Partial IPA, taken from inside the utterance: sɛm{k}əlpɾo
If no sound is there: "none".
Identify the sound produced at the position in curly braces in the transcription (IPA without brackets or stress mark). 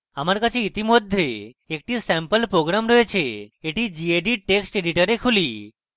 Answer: p